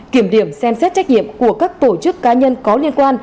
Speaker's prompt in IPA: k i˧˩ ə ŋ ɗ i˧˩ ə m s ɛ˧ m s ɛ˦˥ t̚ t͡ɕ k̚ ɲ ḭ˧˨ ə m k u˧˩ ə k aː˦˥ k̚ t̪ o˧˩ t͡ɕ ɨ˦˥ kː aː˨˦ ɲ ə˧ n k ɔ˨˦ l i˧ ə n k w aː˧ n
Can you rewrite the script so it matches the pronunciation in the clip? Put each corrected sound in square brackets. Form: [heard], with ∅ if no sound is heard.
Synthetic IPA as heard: k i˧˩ ə [m] ɗ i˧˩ ə m s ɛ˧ m s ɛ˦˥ t̚ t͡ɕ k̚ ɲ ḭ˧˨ ə m k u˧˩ ə k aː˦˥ k̚ t̪ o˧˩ t͡ɕ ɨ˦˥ kː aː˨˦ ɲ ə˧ n k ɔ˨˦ l i˧ ə n k w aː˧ n